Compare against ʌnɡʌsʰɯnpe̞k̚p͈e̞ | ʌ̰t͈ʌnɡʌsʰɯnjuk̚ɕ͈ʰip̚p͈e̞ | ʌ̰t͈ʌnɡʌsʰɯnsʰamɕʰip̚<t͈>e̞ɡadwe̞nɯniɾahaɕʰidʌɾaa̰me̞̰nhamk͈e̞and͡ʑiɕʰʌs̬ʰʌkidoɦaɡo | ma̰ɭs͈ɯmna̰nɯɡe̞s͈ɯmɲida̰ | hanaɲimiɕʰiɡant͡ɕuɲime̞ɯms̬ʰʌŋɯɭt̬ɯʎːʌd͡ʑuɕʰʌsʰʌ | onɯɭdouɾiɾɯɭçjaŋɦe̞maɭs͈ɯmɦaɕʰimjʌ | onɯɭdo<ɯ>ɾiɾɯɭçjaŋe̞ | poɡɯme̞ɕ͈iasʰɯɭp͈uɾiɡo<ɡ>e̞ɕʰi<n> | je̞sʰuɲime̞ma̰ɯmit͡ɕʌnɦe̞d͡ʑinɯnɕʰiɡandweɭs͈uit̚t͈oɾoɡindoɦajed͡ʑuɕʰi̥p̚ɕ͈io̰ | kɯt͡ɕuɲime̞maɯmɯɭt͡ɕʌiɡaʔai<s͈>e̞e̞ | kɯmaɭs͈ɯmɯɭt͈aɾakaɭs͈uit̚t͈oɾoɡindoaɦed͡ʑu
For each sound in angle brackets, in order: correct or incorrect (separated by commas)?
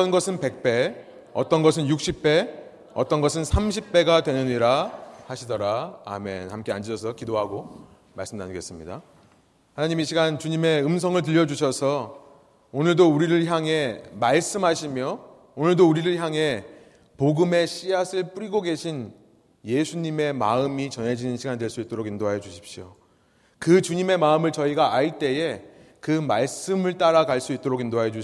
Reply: incorrect, incorrect, correct, correct, incorrect